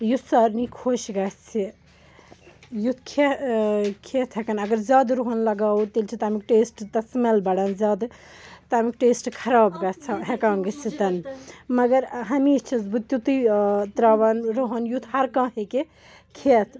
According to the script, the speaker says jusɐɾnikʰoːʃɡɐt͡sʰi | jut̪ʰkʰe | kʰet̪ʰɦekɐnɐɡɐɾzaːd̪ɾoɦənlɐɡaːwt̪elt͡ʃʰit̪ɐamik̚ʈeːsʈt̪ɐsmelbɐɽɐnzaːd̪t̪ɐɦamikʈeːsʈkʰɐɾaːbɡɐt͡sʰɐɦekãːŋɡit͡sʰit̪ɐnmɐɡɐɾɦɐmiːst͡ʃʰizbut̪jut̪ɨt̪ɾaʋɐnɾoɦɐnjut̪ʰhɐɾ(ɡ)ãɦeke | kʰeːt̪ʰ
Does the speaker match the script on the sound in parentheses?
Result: no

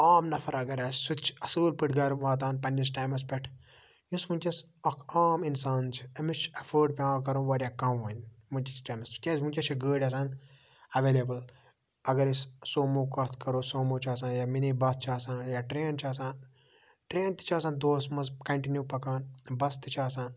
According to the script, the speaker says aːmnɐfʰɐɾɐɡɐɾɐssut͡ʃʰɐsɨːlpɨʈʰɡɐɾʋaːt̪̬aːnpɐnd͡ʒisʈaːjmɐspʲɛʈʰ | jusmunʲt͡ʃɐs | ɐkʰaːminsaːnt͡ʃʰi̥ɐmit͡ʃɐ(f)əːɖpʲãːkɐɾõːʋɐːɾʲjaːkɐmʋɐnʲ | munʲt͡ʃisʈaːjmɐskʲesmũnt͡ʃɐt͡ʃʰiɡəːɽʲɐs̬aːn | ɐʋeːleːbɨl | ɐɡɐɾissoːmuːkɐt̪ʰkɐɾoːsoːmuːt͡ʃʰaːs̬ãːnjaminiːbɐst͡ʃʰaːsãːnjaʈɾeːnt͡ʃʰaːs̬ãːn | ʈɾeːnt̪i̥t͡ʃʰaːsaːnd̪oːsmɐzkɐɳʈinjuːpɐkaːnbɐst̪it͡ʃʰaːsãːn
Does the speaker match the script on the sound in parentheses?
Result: yes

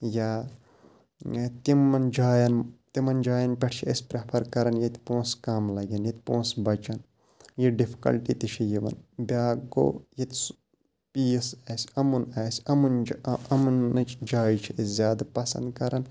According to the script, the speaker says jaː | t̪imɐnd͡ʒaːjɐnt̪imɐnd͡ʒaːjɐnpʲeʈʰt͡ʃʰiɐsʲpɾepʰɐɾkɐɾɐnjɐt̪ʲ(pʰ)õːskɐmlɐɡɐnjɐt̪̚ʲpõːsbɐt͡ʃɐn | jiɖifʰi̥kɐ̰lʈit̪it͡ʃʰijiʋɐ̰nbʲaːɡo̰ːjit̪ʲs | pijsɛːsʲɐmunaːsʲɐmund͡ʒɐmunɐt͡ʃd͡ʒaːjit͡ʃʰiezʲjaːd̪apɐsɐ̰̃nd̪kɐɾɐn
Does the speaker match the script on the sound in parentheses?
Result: no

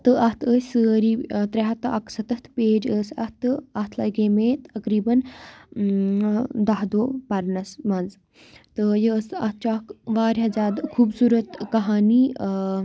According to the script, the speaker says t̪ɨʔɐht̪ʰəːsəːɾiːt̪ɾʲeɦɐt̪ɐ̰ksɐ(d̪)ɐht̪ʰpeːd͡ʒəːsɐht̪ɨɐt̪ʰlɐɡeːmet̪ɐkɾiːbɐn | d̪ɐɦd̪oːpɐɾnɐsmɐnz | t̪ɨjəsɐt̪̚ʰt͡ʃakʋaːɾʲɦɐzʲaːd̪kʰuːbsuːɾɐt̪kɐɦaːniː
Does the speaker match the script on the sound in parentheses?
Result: no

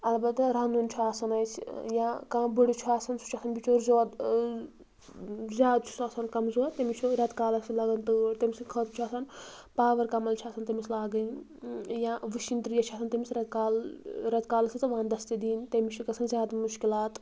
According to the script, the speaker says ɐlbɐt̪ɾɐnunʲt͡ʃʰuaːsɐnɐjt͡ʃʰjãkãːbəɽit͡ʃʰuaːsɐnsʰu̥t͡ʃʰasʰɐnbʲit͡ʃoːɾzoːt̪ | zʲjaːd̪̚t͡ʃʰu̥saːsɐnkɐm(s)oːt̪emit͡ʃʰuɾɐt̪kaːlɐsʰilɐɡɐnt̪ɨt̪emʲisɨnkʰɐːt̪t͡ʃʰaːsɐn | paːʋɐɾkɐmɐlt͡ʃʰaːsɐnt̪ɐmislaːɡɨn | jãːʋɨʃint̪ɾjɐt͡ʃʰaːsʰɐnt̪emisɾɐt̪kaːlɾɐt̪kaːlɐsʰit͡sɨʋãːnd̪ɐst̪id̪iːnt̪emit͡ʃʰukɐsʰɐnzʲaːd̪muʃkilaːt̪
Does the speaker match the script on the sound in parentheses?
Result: no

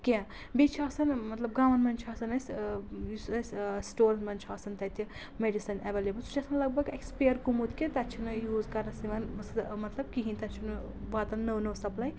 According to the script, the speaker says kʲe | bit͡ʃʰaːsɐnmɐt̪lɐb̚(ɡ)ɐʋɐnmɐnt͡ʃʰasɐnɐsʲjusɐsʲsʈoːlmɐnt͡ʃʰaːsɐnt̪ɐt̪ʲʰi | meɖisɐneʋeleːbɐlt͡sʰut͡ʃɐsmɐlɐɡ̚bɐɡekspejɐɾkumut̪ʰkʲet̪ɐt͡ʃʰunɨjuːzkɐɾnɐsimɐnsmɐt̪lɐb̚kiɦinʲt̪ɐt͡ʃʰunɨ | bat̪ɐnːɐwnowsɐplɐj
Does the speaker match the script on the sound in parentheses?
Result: yes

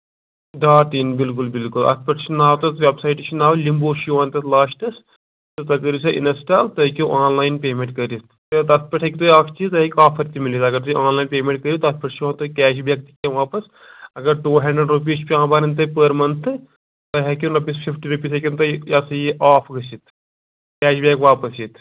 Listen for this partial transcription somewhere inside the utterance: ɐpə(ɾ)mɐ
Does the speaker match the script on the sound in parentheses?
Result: yes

